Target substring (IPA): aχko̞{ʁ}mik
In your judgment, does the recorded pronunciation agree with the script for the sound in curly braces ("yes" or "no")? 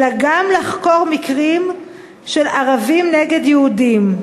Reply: yes